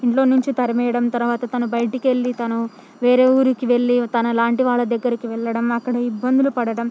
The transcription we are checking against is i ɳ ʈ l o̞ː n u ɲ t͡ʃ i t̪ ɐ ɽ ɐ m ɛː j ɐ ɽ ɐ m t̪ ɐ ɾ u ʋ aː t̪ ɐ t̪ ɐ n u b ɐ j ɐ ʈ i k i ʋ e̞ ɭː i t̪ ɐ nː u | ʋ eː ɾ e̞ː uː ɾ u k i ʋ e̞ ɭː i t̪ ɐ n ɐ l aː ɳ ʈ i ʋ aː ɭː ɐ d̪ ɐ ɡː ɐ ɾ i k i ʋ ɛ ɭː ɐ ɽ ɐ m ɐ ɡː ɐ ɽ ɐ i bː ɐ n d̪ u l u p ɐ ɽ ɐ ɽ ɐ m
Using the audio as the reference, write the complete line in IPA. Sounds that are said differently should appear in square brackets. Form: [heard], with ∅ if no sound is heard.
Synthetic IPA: i ɳ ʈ l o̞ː n u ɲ t͡ʃ i t̪ ɐ [ɾ] ɐ m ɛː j ɐ ɽ ɐ m t̪ ɐ ɾ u ʋ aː t̪ ɐ t̪ ɐ n u b ɐ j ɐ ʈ i k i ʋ e̞ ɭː i t̪ ɐ [n] u | ʋ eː ɾ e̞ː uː ɾ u k i ʋ e̞ ɭː i t̪ ɐ n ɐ l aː ɳ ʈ i ʋ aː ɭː ɐ d̪ ɐ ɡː ɐ ɾ i k i ʋ ɛ ɭː ɐ ɽ ɐ m ɐ [kː] ɐ ɽ ɐ i bː ɐ n d̪ u l u p ɐ ɽ ɐ ɽ ɐ m